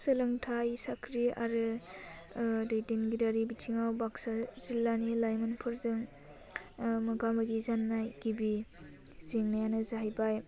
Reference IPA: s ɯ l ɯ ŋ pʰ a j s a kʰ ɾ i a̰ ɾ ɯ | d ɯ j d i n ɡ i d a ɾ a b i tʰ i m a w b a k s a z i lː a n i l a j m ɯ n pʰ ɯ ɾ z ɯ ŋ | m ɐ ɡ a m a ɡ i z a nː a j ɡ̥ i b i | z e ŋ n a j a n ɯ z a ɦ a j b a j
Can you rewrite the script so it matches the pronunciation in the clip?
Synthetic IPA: s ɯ l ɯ ŋ tʰ a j s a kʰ ɾ i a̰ ɾ ɯ | d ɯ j d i n ɡ i d a ɾ i b i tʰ i ŋ a w b a k s a z i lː a n i l a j m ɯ n pʰ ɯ ɾ z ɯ ŋ | m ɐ ɡ a m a ɡ i z a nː a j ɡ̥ i b i | z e ŋ n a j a n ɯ z a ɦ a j b a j